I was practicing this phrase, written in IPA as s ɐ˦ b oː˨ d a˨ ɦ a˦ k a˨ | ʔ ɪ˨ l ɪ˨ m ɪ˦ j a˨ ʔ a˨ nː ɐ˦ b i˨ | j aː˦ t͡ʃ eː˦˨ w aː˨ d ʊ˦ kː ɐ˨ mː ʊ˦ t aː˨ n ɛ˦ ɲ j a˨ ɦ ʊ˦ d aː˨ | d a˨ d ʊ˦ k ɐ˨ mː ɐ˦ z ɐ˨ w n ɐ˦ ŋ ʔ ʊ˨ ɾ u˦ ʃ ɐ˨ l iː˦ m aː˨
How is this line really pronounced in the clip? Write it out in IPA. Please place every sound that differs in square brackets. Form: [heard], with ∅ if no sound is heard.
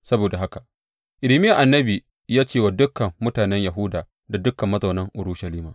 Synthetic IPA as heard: s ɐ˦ b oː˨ d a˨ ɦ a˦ k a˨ | ʔ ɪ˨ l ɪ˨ m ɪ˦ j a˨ ʔ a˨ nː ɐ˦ b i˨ | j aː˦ t͡ʃ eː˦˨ w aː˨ d ʊ˦ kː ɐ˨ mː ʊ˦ t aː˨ n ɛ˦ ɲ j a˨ ɦ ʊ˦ d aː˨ | d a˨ d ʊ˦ k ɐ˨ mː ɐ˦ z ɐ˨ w n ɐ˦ ŋ ʔ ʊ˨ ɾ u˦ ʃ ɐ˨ l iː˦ m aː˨